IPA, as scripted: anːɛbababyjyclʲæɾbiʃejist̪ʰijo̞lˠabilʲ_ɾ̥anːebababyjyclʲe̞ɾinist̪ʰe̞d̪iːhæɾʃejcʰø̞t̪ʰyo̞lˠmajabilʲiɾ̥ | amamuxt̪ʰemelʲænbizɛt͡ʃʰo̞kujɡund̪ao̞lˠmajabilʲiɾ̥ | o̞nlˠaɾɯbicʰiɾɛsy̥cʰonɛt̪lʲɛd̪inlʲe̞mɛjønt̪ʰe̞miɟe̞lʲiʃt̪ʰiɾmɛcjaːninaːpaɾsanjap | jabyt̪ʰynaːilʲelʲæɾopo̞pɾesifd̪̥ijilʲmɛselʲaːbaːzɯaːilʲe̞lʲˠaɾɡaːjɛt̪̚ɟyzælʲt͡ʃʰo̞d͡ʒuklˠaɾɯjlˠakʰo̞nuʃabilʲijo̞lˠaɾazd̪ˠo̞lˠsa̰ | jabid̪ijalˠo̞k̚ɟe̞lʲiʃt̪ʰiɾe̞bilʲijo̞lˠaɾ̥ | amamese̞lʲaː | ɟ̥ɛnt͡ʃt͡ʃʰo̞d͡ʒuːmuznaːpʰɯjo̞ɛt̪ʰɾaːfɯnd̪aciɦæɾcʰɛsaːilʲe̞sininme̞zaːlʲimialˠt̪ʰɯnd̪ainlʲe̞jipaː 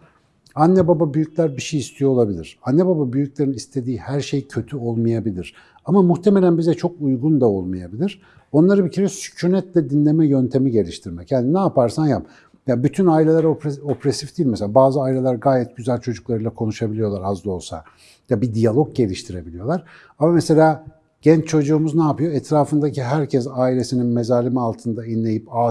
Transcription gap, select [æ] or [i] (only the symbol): i